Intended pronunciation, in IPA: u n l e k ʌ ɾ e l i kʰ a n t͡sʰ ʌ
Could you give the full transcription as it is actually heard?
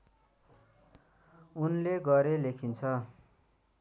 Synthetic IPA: u n l e ɡ ʌ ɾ e l e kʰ i n t͡sʰ ʌ